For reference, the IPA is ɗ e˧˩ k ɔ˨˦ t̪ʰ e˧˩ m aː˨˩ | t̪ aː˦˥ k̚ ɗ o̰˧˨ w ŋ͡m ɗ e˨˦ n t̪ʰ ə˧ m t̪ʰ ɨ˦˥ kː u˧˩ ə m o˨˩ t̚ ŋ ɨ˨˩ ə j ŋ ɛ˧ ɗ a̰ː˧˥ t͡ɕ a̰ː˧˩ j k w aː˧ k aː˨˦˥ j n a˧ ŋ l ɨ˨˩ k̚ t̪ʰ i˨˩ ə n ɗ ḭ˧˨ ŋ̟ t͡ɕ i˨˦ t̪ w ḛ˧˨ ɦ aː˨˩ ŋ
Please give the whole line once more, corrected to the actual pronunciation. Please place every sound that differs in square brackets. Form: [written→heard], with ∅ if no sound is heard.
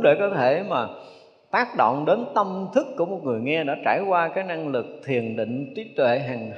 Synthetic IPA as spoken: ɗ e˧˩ k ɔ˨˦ t̪ʰ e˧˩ m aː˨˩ | t̪ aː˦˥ k̚ ɗ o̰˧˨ w ŋ͡m ɗ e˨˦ n [t̪ʰ→t̪] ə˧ m t̪ʰ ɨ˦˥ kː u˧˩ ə m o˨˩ t̚ ŋ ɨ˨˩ ə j ŋ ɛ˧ ɗ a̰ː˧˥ t͡ɕ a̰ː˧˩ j k w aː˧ k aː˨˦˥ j n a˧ ŋ l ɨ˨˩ k̚ t̪ʰ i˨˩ ə n ɗ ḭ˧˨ ŋ̟ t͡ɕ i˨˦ t̪ w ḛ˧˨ ɦ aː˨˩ ŋ